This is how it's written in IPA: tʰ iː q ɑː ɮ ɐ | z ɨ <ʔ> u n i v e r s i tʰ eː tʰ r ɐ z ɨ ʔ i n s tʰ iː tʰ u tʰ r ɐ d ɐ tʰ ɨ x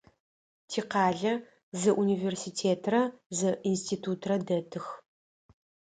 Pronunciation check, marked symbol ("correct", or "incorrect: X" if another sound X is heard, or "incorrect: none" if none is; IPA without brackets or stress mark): correct